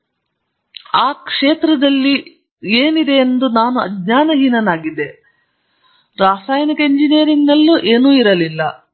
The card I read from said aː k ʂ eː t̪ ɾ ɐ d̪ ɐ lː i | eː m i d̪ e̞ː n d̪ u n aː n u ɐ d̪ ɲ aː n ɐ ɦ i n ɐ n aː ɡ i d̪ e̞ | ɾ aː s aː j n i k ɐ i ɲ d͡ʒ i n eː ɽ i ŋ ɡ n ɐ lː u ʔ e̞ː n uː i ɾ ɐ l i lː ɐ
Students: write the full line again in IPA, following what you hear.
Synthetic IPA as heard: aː k ʂ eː t̪ ɾ ɐ d̪ ɐ lː i | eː n i d̪ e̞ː n d̪ u n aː n u ɐ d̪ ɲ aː n ɐ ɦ i n ɐ n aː ɡ i d̪ e̞ | ɾ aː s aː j n i k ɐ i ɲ d͡ʒ i n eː ɾ i ŋ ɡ n ɐ lː u ʔ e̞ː n uː i ɾ ɐ l i lː ɐ

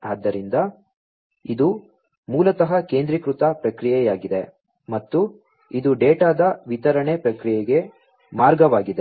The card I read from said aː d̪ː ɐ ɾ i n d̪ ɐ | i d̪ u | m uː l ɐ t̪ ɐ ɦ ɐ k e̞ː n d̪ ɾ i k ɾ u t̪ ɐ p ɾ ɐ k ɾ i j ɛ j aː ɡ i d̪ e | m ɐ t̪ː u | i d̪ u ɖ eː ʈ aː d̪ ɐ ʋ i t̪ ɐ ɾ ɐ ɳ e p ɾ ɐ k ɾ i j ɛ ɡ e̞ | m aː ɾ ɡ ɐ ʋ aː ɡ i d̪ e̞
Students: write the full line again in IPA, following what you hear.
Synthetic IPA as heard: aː d̪ː ɐ ɾ i n d̪ ɐ | i d̪ u | m uː l ɐ t̪ ɐ ɦ ɐ k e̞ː n d̪ ɾ i k ɾ u t̪ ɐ p ɾ ɐ k ɾ i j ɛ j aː ɡ i d̪ e | m ɐ t̪ː u | i d̪ u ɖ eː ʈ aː d̪ ɐ ʋ i t̪ ɐ ɾ ɐ ɳ e p ɾ ɐ k ɾ i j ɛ ɡ e̞ | m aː ɾ ɡ ɐ ʋ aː ɡ i d̪ e̞

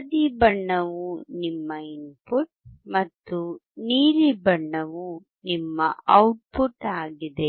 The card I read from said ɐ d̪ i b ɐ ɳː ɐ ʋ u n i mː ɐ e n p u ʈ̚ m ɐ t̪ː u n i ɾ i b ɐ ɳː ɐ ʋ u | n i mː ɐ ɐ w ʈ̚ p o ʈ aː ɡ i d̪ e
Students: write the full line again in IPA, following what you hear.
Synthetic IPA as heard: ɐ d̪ i b ɐ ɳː ɐ ʋ u n i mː ɐ i n p u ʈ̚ m ɐ t̪ː u n iː ɾ i b ɐ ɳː ɐ ʋ u | n i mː ɐ ɐ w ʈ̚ p u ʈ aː ɡ i d̪ e

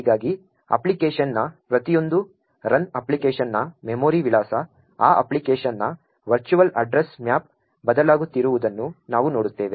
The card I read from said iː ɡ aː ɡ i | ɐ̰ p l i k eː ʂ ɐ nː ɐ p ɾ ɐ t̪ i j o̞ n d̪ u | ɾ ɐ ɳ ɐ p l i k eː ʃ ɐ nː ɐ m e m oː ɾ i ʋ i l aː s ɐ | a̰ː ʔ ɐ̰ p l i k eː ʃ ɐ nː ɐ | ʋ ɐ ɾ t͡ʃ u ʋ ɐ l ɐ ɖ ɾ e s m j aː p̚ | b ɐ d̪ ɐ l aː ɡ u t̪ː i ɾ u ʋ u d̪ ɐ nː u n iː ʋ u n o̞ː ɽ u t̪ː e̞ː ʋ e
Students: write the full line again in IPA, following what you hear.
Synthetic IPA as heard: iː ɡ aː ɡ i | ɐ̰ p l i k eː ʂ ɐ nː ɐ p ɾ ɐ t̪ i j o̞ n d̪ u | ɾ ɐ n ɐ p l i k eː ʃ ɐ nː ɐ m e m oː ɾ i ʋ i l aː s ɐ | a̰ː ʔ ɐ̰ p l i k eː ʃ ɐ nː ɐ | ʋ ɐ ɾ t͡ʃ u ʋ ɐ l ɐ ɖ ɾ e s m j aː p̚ | b ɐ d̪ ɐ l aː ɡ u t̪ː i ɾ u ʋ u d̪ ɐ nː u n aː ʋ u n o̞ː ɽ u t̪ː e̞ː ʋ e

